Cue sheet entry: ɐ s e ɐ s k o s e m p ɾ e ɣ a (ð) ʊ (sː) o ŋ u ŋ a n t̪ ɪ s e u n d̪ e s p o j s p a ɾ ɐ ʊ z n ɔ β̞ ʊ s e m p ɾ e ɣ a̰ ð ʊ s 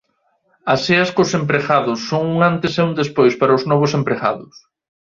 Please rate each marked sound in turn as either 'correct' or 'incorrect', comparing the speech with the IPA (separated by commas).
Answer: correct, correct